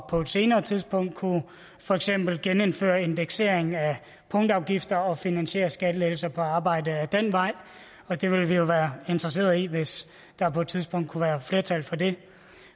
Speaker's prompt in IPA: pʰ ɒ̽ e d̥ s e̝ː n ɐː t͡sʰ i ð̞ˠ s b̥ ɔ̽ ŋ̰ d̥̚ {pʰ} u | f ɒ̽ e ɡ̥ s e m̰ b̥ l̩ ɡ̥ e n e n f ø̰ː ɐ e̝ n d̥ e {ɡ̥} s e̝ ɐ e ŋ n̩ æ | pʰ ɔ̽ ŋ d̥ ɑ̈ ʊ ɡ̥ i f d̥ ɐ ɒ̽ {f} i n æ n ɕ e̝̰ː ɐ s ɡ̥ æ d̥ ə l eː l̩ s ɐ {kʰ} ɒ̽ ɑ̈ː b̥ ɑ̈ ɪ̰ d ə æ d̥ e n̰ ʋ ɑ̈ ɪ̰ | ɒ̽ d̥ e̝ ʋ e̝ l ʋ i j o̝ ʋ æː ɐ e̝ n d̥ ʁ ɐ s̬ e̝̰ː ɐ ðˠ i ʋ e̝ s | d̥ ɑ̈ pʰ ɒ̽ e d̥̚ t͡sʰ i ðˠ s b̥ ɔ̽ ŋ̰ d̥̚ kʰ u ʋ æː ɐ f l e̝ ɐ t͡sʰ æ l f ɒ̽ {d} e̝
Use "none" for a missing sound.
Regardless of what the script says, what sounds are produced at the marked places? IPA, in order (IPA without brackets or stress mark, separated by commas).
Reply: kʰ, ɡ̥, f, pʰ, d